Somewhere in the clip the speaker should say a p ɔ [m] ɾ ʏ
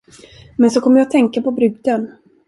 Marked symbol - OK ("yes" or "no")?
no